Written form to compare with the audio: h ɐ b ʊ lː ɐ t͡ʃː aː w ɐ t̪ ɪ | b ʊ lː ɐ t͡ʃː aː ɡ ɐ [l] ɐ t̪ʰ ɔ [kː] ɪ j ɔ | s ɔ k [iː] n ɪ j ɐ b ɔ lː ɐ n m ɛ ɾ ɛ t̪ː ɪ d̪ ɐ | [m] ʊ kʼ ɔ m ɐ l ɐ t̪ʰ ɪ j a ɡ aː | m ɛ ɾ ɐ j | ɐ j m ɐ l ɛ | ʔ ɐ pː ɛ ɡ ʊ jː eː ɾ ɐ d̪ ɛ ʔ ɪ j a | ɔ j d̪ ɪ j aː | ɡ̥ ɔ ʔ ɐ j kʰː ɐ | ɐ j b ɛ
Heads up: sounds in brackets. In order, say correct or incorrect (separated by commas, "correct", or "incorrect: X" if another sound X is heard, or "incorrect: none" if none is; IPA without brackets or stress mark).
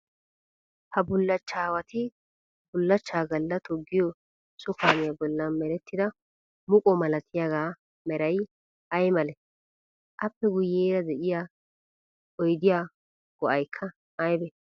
incorrect: lː, incorrect: ɡː, incorrect: aː, correct